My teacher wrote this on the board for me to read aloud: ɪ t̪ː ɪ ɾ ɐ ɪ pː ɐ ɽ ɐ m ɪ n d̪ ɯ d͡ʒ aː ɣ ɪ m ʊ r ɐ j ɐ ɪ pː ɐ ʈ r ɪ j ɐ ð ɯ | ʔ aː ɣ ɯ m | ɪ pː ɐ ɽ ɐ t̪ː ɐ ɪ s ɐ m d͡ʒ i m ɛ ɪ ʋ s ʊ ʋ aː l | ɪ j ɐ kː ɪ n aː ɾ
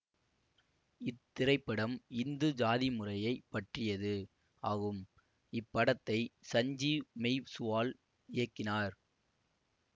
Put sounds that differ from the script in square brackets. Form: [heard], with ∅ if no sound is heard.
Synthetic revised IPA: ɪ t̪ː ɪ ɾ ɐ ɪ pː ɐ ɽ ɐ m ɪ n d̪ ɯ d͡ʒ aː [ð] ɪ m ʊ r ɐ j ɐ ɪ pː ɐ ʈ r ɪ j ɐ ð ɯ | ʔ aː ɣ ɯ m | ɪ pː ɐ ɽ ɐ t̪ː ɐ ɪ s ɐ [ɲ] d͡ʒ i m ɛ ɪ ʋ s ʊ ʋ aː l | ɪ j ɐ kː ɪ n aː ɾ